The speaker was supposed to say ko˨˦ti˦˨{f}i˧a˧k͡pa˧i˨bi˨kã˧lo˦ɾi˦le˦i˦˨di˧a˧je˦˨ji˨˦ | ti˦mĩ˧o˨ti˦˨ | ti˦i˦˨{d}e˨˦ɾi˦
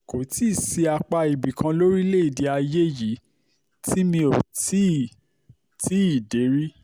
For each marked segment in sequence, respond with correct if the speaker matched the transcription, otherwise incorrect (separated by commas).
incorrect, correct